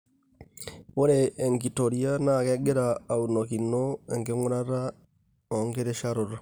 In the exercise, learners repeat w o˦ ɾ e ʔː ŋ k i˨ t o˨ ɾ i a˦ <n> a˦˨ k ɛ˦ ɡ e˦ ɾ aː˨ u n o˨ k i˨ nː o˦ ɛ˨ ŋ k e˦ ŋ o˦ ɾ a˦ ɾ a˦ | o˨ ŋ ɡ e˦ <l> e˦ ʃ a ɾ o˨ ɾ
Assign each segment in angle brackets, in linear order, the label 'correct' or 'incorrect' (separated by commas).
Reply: correct, incorrect